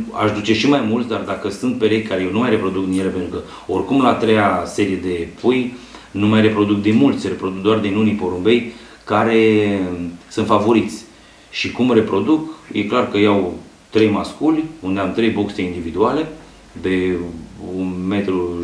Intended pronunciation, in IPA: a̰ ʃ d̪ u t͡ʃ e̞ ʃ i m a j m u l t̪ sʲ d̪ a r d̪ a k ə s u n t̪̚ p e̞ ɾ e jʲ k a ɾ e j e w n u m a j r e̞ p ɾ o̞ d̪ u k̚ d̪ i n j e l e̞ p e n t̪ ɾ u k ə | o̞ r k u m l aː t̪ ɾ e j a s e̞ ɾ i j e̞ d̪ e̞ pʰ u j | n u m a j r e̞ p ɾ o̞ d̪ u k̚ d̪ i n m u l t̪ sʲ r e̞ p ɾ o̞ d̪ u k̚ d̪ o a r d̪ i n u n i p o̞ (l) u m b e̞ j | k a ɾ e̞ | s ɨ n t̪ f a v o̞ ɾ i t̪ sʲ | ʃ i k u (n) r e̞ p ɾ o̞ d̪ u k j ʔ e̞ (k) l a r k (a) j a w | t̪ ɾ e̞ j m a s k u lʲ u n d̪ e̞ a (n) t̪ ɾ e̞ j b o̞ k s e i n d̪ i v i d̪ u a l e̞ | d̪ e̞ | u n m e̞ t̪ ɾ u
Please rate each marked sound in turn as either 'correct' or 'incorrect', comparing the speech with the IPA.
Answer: incorrect, incorrect, correct, incorrect, incorrect

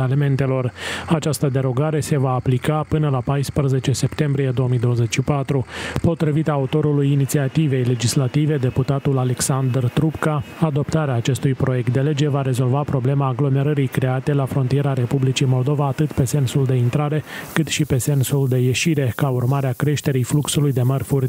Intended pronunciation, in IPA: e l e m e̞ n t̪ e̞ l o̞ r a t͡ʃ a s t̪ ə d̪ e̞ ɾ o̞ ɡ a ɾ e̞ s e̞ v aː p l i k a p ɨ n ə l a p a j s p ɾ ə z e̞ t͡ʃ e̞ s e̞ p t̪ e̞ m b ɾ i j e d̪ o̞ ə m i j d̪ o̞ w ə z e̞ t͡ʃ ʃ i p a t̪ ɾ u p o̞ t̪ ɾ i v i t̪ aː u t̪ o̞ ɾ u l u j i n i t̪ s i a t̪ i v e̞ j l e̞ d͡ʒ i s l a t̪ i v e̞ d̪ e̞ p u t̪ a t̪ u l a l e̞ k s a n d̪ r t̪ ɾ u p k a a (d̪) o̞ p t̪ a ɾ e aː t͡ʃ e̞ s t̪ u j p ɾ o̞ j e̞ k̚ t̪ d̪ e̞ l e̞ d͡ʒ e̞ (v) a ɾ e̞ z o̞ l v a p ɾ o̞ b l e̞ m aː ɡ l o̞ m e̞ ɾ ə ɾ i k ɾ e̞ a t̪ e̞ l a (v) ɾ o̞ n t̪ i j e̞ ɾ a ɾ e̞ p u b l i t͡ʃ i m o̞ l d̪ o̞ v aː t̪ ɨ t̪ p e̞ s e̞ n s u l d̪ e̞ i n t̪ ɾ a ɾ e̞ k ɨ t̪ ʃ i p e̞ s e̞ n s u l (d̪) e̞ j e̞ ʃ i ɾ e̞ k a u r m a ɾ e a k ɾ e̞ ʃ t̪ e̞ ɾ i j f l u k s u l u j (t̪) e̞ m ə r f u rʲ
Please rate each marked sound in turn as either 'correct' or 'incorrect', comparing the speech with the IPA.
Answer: correct, correct, incorrect, correct, incorrect

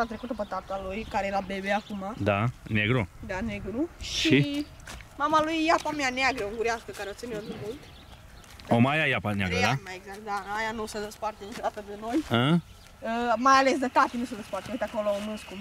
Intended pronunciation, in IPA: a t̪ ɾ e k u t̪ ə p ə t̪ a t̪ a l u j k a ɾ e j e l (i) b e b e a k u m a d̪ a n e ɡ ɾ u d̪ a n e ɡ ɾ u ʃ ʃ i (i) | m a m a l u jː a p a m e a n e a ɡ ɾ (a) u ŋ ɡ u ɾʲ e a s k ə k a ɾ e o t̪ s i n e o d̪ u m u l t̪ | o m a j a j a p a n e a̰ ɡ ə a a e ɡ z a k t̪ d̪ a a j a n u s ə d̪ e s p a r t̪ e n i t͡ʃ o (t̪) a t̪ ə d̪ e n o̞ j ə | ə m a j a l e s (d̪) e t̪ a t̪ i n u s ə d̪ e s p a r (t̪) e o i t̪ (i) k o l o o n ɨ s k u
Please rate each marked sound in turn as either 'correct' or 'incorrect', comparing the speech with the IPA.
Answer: incorrect, correct, incorrect, incorrect, correct, correct, incorrect

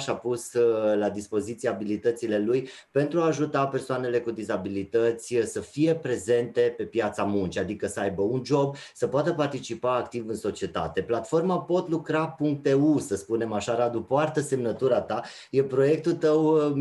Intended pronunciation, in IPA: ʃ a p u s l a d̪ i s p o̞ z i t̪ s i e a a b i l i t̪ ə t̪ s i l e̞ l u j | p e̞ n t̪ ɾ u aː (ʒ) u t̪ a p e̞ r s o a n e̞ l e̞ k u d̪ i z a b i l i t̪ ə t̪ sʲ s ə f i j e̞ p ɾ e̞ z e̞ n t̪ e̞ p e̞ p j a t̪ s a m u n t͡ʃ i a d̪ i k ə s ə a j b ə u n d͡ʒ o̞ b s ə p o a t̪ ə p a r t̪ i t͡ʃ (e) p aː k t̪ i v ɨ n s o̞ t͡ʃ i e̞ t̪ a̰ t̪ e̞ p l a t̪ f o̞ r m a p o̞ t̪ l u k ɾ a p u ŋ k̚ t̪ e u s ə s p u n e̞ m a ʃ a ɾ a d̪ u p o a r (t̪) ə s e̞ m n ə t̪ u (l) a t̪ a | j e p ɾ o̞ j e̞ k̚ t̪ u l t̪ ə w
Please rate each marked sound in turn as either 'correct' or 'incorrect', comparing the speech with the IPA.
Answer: correct, incorrect, correct, incorrect

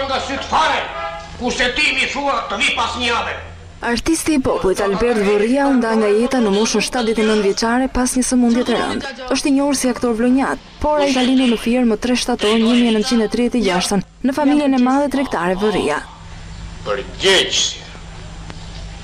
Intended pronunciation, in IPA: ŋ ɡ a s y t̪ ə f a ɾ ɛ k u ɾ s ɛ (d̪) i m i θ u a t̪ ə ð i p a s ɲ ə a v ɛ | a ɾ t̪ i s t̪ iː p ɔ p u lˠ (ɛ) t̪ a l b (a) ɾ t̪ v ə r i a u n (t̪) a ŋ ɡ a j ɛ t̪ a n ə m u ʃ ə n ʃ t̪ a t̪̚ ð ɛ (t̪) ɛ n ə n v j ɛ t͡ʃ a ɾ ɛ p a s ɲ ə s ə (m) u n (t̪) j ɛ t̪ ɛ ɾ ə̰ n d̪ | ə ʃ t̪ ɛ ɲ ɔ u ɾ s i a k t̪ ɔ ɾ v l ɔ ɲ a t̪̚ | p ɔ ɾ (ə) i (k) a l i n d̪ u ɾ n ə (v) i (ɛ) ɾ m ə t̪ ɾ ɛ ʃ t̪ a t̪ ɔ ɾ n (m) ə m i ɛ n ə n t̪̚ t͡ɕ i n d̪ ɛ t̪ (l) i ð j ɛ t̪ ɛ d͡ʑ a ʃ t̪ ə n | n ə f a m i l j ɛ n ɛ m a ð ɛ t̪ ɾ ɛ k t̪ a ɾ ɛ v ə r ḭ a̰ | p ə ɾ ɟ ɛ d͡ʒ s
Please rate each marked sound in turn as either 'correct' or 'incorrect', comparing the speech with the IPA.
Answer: incorrect, incorrect, incorrect, incorrect, correct, correct, incorrect, incorrect, correct, incorrect, correct, incorrect, incorrect

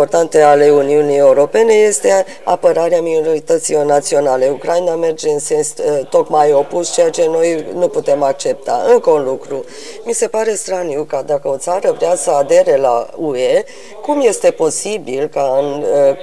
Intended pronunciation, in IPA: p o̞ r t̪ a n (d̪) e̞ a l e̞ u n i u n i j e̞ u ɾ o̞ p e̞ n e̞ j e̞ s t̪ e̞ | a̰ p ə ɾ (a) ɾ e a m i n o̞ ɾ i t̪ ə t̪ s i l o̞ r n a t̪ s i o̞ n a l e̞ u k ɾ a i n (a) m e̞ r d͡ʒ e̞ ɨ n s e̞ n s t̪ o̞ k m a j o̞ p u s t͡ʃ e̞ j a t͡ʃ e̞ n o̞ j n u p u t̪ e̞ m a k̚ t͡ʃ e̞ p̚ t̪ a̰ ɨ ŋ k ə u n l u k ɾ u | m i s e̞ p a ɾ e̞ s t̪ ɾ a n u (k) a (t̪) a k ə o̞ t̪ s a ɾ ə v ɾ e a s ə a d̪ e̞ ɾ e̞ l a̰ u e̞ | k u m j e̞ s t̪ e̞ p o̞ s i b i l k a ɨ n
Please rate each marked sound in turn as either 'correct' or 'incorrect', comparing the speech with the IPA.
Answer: incorrect, correct, correct, correct, incorrect

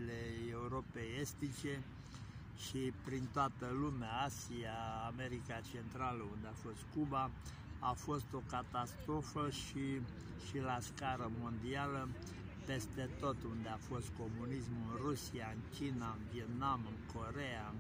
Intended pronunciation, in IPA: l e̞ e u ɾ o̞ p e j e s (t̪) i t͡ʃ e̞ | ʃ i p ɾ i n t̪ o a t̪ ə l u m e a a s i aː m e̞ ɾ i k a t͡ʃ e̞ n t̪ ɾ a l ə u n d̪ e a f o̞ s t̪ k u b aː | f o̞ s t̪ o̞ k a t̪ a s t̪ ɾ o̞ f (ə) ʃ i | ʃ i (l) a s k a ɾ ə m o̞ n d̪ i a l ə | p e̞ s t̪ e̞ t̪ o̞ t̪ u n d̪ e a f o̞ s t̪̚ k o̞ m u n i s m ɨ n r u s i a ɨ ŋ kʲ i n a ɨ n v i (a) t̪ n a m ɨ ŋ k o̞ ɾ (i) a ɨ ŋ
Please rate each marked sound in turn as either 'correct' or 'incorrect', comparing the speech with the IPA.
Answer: correct, correct, correct, incorrect, incorrect

